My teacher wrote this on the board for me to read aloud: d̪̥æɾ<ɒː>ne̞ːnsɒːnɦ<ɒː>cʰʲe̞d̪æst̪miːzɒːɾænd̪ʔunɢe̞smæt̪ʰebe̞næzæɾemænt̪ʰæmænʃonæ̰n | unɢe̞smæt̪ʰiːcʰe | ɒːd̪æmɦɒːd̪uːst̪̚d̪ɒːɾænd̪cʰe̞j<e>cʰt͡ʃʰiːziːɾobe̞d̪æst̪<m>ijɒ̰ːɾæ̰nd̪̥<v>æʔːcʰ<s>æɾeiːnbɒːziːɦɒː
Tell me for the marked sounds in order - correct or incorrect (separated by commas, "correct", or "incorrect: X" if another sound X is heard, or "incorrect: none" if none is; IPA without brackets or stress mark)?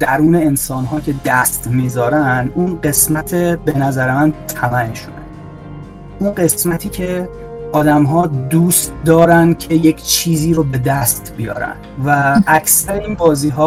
incorrect: uː, correct, correct, incorrect: b, correct, correct